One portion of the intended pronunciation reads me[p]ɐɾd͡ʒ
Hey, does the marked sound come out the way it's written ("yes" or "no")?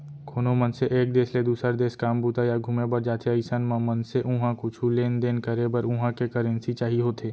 no